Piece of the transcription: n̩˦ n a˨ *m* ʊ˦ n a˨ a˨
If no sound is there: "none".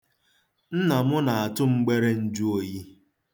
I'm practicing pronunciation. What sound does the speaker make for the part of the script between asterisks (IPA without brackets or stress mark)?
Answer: m